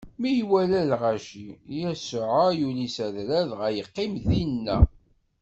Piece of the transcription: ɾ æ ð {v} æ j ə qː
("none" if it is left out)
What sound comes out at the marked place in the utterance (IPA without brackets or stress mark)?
ʁ